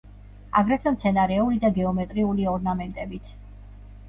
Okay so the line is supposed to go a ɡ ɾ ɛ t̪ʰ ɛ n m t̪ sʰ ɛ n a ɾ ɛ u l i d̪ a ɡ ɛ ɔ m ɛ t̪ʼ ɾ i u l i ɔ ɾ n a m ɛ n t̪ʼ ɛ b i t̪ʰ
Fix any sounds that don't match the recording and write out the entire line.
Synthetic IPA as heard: a ɡ ɾ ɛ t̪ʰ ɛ m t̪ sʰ ɛ n a ɾ ɛ u l i d̪ a ɡ ɛ ɔ m ɛ t̪ʼ ɾ i u l i ɔ ɾ n a m ɛ n t̪ʼ ɛ b i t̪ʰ